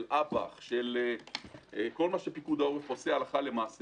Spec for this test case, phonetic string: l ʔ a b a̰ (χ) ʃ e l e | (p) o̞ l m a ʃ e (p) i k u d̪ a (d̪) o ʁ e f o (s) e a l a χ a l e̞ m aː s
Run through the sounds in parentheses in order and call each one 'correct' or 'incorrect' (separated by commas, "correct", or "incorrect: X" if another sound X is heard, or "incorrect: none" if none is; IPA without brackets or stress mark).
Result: correct, incorrect: k, correct, incorrect: none, correct